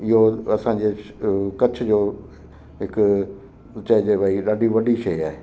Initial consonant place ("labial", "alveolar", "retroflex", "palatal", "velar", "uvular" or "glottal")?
glottal